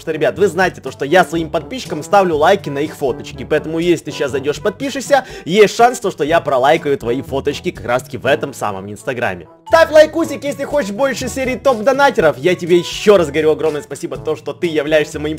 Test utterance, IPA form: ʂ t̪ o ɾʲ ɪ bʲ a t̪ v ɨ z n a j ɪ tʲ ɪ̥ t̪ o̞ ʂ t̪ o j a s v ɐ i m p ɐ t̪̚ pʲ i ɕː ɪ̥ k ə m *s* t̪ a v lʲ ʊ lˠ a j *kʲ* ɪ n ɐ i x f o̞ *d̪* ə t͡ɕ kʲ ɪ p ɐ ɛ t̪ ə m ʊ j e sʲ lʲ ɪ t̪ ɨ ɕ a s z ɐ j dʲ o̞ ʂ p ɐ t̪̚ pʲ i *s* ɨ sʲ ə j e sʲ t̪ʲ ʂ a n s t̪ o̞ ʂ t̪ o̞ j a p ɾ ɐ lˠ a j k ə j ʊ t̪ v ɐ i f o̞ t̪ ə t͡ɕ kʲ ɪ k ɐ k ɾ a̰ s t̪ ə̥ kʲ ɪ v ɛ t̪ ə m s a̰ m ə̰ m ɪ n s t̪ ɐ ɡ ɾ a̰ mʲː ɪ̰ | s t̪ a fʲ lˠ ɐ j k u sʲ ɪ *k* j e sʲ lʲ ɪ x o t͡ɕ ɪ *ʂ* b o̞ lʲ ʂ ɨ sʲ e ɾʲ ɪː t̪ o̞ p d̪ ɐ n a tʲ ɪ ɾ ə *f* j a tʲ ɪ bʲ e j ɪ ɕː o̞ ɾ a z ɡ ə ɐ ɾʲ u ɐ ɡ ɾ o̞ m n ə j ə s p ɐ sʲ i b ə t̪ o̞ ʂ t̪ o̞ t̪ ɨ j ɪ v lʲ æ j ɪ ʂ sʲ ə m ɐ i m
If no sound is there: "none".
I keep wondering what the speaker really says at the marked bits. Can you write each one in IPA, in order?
s, kʲ, t̪, ʂ, k, ʂ, f

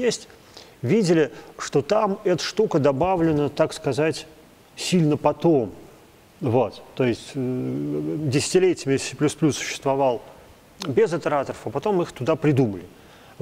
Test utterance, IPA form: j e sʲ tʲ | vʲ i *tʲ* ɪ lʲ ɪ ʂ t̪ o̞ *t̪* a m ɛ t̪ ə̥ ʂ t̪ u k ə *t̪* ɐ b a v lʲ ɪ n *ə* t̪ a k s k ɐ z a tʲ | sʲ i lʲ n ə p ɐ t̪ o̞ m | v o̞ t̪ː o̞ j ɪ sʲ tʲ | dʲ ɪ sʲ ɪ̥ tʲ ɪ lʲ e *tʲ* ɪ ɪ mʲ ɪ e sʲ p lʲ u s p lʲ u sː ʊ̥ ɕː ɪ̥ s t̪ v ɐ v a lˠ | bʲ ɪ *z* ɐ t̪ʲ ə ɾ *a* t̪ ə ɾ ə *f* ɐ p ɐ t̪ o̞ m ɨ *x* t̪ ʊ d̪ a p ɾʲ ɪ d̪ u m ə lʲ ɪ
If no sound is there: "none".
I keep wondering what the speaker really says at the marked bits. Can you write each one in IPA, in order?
dʲ, t̪, d̪, ə, tʲ, z, a, f, x

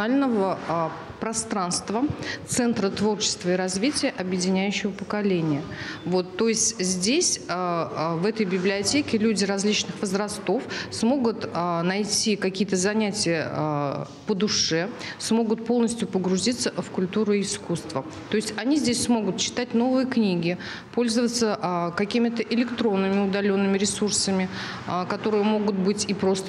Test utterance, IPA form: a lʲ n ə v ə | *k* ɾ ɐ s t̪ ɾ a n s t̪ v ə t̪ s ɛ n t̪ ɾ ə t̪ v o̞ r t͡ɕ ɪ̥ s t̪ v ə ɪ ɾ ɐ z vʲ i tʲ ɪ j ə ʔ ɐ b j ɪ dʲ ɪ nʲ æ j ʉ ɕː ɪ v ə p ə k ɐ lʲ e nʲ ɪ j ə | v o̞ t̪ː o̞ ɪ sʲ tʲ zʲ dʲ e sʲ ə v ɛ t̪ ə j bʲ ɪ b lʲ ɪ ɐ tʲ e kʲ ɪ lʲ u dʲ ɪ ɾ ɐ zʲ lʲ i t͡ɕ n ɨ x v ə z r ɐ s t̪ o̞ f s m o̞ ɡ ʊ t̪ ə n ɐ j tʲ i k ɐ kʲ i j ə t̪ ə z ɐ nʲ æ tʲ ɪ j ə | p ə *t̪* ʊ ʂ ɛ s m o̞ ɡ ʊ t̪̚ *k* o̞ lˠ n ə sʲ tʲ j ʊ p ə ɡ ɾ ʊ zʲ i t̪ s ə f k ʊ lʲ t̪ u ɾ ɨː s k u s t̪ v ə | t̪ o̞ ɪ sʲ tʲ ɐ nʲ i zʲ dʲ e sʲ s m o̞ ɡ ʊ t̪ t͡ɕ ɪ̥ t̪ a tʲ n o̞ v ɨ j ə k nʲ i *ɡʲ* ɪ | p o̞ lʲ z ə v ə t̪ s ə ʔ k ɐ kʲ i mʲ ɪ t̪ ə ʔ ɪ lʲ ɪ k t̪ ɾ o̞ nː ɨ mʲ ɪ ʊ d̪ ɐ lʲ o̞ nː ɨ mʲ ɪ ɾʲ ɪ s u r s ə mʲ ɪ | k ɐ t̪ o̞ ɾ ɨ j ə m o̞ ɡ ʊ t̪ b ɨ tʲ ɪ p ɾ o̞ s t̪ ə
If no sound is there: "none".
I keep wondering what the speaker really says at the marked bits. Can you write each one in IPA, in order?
p, d̪, p, ɡʲ

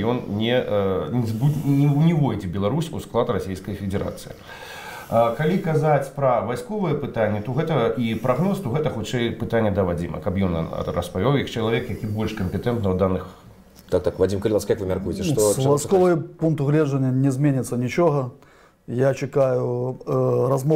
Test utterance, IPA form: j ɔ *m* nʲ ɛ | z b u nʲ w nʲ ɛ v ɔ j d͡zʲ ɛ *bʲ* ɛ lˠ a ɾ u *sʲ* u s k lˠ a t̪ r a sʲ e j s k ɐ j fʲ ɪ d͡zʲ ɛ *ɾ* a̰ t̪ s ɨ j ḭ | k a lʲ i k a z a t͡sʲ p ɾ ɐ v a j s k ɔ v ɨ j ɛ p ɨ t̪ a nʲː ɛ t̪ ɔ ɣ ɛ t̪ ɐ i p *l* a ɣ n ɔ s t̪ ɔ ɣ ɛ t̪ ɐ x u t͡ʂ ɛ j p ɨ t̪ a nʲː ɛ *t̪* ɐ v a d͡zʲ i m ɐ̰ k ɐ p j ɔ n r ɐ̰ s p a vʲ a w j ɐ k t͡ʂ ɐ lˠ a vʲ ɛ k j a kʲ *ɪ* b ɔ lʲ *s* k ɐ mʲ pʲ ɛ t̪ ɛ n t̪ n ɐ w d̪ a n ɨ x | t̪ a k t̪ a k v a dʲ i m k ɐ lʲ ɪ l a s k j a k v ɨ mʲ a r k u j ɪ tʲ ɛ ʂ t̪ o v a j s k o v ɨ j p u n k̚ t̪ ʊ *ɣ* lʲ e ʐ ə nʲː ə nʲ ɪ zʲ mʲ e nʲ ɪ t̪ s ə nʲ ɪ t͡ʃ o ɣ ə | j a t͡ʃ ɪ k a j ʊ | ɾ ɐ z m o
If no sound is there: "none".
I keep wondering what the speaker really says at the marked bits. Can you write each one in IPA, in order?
n, bʲ, sʲ, ɾ, ɾ, d̪, i, ʂ, ɣ

